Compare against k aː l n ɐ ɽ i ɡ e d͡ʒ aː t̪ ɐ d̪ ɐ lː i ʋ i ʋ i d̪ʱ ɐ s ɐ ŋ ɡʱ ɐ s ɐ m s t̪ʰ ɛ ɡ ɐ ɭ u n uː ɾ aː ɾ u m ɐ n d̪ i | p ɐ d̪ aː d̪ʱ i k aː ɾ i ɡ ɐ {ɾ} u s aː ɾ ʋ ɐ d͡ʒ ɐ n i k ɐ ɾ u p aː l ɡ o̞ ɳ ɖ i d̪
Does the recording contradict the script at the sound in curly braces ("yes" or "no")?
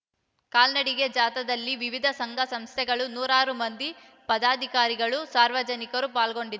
yes